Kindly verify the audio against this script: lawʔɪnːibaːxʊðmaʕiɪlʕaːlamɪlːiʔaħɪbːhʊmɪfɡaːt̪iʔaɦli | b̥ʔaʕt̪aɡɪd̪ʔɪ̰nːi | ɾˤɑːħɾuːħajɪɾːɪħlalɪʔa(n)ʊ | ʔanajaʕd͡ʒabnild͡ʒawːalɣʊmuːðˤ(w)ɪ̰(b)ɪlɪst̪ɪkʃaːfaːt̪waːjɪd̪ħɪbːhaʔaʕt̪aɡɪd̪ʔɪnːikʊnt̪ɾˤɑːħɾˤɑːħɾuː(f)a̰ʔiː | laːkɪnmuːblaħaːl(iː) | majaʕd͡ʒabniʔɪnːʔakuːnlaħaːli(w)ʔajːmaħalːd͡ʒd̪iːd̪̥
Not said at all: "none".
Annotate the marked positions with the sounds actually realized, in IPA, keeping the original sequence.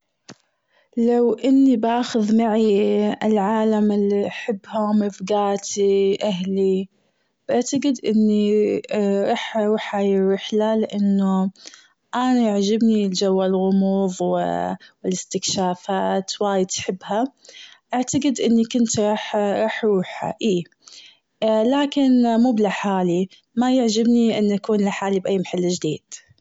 nː, w, w, ħ, i, b

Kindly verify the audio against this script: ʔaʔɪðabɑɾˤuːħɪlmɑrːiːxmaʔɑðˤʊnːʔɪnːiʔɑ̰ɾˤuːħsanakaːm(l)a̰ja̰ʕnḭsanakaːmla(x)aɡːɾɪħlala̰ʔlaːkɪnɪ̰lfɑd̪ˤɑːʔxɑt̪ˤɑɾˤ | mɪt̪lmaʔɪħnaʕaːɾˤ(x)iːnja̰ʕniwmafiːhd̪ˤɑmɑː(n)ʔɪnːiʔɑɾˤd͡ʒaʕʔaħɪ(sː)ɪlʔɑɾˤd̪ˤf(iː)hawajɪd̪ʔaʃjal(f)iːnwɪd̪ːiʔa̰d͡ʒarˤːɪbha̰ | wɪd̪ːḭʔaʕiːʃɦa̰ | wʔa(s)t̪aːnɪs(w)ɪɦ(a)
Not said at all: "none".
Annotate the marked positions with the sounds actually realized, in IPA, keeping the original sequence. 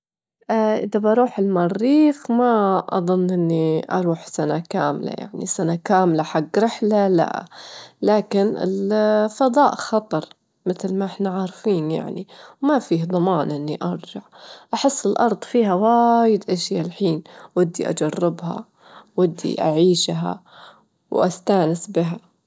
l, ħ, f, n, sː, iː, ħ, s, b, a

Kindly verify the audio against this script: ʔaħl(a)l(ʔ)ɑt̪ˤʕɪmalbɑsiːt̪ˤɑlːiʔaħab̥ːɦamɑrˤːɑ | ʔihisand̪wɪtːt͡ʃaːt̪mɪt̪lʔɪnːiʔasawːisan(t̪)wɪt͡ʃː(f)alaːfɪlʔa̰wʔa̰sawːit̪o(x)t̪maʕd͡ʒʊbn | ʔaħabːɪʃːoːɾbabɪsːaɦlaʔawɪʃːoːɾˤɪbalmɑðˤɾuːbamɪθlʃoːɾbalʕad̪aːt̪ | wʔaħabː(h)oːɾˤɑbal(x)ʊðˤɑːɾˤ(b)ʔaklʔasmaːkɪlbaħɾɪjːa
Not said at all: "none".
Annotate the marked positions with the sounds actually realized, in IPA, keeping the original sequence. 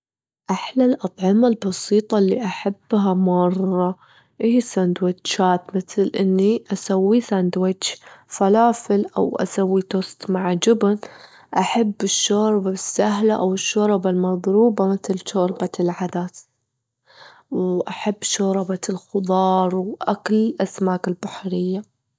a, ʔ, d̪, f, s, ʃ, x, w

